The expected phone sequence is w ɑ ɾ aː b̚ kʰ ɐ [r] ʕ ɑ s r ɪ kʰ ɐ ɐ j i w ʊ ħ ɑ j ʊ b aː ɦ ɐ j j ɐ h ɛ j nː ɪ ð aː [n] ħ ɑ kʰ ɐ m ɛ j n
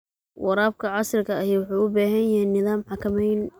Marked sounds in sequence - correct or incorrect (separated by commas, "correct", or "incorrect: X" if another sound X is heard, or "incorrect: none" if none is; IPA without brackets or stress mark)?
incorrect: none, incorrect: m